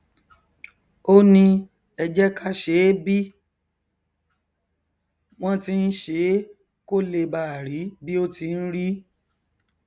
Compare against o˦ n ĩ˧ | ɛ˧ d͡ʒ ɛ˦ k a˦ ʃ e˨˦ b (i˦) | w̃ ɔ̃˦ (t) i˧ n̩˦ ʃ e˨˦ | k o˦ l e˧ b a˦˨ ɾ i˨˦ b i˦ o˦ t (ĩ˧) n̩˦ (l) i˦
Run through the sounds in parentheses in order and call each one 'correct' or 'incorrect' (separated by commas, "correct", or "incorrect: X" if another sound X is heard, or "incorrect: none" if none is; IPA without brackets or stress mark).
correct, correct, incorrect: i˧, incorrect: ɾ